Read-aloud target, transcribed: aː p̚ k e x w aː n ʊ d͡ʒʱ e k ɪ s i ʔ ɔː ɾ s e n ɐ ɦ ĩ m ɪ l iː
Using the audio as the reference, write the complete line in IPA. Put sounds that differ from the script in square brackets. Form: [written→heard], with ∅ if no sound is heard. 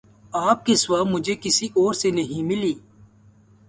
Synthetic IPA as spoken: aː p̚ k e [x→s] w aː [n→m] ʊ d͡ʒʱ e k ɪ s i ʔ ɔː ɾ s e n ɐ ɦ ĩ m ɪ l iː